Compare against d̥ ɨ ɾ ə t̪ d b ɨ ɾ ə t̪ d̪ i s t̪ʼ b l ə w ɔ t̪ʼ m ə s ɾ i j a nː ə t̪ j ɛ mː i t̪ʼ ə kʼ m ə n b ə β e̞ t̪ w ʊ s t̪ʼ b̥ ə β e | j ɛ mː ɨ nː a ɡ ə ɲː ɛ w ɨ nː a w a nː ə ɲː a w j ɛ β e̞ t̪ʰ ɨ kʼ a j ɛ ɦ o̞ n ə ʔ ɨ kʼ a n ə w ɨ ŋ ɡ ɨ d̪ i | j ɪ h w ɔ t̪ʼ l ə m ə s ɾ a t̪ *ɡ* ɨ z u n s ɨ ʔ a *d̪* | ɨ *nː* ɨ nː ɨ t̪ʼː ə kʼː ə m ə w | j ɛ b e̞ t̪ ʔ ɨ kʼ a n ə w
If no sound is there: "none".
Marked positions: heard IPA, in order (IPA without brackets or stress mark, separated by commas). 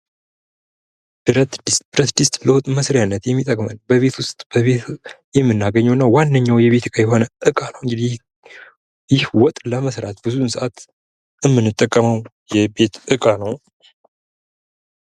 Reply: b, t̪, mː